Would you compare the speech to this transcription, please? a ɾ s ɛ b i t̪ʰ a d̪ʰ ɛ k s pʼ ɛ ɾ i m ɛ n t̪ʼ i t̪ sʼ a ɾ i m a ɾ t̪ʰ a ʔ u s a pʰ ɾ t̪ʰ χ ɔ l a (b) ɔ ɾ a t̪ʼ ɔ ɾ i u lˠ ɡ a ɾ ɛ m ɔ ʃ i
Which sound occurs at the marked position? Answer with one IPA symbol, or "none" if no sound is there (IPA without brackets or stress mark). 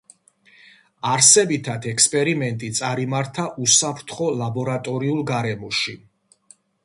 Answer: b